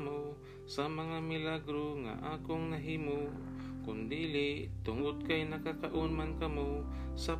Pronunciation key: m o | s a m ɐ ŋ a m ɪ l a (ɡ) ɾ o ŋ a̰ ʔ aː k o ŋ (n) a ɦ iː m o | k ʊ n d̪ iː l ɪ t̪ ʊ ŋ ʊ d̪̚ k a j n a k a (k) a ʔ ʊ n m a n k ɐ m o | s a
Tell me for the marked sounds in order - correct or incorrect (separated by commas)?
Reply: correct, correct, correct